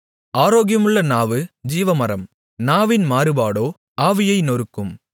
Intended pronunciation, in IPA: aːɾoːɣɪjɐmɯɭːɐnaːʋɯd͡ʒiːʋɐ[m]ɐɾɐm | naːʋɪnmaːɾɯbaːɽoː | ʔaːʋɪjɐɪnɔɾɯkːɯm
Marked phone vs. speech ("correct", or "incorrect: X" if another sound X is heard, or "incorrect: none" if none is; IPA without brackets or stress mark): correct